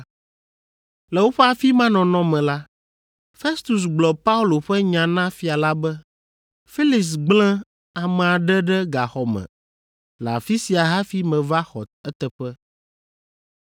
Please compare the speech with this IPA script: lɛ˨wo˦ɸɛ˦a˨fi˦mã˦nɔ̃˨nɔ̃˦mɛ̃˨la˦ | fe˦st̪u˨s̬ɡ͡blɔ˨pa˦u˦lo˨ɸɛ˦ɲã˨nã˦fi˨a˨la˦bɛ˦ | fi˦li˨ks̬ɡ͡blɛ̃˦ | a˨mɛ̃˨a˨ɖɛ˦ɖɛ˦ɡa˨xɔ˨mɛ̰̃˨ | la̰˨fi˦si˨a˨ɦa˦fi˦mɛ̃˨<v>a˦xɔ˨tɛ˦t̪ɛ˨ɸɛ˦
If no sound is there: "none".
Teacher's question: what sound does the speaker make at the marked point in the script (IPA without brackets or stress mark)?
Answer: v